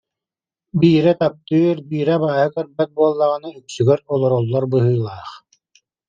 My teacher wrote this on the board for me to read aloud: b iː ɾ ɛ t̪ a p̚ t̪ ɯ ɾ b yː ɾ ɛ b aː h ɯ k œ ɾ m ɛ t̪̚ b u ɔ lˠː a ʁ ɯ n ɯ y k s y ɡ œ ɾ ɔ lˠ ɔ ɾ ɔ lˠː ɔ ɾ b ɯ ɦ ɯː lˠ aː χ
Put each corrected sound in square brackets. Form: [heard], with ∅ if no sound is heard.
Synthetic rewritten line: b iː ɾ ɛ t̪ a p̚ t̪ ɯ ɾ b [iː] ɾ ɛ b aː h ɯ k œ ɾ [b] ɛ t̪̚ b u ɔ lˠː a ʁ ɯ n ɯ y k s y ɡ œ ɾ ɔ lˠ ɔ ɾ ɔ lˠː ɔ ɾ b ɯ ɦ ɯː lˠ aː χ